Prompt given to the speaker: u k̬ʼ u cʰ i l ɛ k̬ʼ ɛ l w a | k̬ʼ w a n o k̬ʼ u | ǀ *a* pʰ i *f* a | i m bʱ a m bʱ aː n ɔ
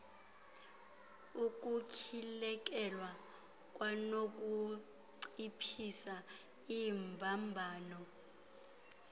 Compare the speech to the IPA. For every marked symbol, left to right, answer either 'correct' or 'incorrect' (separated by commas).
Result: incorrect, incorrect